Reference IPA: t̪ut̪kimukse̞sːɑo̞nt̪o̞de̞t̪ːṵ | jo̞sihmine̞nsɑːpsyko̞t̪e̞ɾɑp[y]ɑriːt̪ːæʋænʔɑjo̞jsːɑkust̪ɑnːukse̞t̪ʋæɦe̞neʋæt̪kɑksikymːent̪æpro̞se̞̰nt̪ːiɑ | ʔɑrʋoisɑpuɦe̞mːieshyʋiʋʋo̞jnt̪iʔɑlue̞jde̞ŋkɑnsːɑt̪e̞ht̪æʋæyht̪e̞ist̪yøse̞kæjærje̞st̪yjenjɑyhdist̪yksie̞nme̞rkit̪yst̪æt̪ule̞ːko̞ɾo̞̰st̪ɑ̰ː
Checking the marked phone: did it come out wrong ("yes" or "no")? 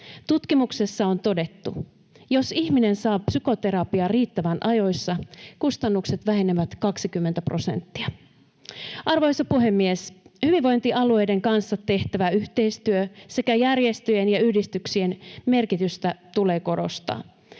yes